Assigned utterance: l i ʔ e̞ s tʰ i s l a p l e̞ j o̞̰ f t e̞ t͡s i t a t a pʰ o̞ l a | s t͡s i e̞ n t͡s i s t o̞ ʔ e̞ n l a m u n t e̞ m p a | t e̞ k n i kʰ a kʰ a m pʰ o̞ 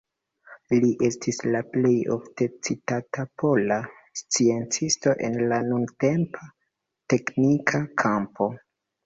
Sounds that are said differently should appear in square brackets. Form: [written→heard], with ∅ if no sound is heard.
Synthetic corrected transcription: l i ʔ e̞ s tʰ i s l a p l e̞ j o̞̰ f t e̞ t͡s i t a t a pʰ o̞ l a | s t͡s i e̞ n t͡s i s t o̞ ʔ e̞ n l a [m→n] u n t e̞ m p a | t e̞ k n i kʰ a kʰ a m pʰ o̞